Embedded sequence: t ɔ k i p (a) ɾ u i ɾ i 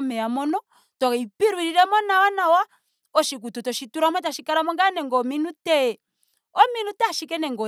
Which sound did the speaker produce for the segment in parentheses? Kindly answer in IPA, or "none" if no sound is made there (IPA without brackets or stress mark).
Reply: i